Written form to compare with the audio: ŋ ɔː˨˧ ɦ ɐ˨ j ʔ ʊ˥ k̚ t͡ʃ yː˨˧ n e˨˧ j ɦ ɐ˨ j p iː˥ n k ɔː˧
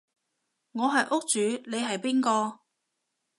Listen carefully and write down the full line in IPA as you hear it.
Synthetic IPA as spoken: ŋ ɔː˨˧ ɦ ɐ˨ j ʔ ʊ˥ k̚ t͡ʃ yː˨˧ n e˨˧ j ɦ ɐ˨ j p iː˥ n k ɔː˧

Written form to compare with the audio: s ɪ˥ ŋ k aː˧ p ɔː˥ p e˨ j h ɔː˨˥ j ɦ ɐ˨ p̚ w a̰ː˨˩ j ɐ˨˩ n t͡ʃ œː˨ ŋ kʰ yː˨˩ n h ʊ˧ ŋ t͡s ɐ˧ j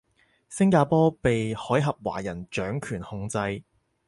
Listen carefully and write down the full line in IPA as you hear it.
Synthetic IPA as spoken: s ɪ˥ ŋ k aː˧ p ɔː˥ p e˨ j h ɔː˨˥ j ɦ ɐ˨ p̚ w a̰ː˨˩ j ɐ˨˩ n t͡ʃ œː˨˥ ŋ kʰ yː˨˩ n h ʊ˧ ŋ t͡s ɐ˧ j

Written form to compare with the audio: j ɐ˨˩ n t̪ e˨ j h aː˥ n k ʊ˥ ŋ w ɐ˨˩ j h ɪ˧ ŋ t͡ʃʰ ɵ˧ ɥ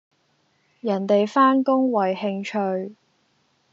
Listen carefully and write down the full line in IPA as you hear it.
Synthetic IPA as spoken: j ɐ˨˩ n t̪ e˨ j f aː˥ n k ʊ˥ ŋ w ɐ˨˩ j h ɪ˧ ŋ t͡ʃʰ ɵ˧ ɥ

